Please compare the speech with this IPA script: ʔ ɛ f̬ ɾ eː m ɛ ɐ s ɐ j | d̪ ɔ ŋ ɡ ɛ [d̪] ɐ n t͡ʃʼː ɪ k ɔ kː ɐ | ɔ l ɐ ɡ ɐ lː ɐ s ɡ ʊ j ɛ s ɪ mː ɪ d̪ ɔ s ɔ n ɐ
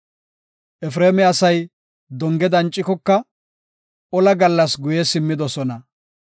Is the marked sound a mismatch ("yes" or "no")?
no